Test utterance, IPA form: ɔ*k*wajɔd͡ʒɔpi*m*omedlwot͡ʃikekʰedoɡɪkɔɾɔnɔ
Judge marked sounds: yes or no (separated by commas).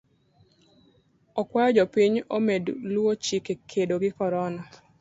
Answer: yes, no